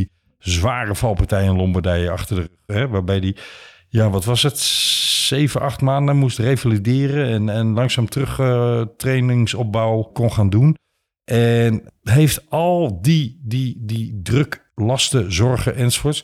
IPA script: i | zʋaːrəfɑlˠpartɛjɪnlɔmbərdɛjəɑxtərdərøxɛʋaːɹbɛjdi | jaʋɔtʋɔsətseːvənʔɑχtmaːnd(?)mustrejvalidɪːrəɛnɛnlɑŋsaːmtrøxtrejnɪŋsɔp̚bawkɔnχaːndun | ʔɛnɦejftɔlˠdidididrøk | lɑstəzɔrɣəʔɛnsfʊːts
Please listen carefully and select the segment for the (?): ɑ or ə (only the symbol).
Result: ə